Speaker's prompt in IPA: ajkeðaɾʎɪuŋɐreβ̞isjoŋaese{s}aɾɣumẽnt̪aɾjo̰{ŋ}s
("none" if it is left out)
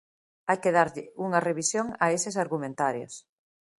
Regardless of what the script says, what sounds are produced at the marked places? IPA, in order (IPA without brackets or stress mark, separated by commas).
s, none